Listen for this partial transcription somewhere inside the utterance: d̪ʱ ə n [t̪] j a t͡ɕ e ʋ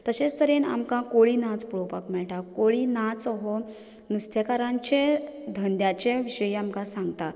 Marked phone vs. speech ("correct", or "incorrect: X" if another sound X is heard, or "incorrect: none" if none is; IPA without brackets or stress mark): incorrect: d̪